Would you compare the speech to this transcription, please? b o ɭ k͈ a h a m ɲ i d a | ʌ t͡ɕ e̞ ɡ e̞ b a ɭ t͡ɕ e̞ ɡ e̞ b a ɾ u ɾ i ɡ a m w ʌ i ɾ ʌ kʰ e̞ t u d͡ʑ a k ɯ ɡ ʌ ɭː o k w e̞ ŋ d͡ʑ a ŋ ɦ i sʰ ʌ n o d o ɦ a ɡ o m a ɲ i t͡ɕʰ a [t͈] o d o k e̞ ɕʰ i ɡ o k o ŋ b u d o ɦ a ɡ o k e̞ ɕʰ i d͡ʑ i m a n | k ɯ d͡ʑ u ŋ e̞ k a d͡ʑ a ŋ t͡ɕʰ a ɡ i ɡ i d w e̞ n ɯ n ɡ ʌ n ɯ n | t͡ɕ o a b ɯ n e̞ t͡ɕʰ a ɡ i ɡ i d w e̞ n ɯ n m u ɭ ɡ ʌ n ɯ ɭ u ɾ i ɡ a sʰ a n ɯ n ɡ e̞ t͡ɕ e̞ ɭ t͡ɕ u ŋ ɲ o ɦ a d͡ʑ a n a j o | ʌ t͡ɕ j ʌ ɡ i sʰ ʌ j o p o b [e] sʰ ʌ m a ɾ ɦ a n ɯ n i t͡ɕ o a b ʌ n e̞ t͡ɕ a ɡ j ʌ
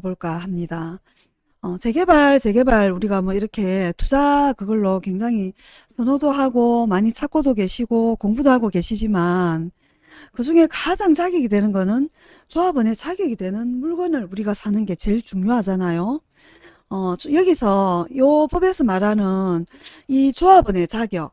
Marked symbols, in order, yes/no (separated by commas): no, yes